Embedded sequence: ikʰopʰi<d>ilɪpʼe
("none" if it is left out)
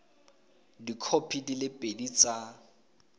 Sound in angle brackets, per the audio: d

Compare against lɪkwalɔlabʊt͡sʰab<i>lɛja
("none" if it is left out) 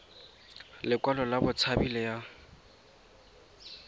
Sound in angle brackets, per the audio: i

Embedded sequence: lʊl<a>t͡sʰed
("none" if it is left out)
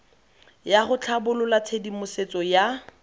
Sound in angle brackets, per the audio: a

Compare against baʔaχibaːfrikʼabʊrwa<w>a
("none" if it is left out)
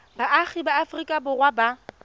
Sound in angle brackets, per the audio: b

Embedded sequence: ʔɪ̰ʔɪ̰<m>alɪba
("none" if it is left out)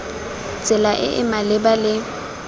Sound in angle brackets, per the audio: m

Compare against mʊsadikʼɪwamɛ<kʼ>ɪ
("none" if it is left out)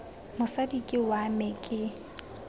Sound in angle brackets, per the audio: kʼ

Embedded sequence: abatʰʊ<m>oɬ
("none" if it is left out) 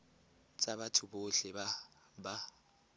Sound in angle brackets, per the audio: b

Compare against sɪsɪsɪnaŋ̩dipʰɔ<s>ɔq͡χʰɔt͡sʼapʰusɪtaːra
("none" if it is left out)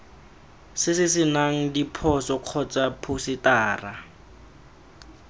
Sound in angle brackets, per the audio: s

